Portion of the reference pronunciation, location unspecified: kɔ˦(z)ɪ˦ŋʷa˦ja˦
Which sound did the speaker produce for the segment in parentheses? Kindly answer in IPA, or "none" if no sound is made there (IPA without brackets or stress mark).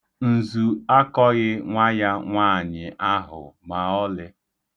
ɣ